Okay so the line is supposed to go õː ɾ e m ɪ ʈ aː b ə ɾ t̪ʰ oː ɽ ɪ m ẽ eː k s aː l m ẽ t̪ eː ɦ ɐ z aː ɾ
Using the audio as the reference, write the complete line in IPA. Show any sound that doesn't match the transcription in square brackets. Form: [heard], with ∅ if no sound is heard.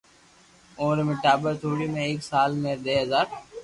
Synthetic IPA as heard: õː ɾ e m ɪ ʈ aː b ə ɾ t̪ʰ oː ɽ [i] m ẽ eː k s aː l m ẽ [d̪] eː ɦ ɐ z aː ɾ